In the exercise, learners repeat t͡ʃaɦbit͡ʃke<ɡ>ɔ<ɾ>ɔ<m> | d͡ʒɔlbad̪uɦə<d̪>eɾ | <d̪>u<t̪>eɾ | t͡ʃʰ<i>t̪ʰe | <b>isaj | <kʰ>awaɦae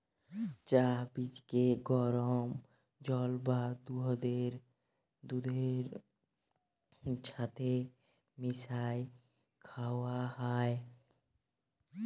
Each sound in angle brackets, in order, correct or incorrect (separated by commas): correct, correct, correct, correct, correct, incorrect, incorrect, incorrect, correct